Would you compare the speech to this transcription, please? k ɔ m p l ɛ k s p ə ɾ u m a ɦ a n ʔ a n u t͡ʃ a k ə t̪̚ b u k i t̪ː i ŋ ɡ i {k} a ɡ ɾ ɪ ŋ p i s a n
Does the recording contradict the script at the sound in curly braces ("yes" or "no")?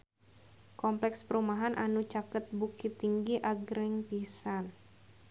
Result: yes